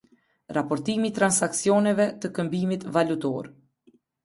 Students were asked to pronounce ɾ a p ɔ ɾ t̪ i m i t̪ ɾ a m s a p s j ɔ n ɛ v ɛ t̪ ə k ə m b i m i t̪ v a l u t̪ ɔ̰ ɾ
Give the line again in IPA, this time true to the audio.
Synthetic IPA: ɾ a p ɔ ɾ t̪ i m i t̪ ɾ a n s a k s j ɔ n ɛ v ɛ t̪ ə k ə m b i m i t̪ v a l u t̪ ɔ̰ ɾ